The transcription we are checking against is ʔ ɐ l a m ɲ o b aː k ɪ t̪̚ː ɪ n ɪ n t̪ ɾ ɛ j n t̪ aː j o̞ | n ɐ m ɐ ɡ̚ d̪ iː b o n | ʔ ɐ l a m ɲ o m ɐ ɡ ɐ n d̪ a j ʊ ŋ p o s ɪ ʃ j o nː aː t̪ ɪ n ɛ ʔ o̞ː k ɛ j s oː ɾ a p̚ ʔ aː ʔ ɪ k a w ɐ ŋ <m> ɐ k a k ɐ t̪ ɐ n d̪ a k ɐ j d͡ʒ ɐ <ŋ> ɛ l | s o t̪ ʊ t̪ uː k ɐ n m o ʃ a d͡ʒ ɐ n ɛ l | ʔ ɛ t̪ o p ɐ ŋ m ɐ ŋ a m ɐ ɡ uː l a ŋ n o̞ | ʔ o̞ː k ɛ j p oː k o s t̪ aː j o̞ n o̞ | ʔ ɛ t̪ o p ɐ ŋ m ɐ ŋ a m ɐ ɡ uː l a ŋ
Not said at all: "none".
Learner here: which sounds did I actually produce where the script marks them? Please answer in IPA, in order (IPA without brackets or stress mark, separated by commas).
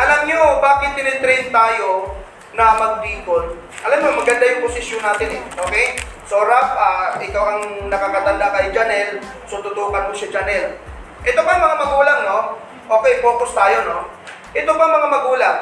n, n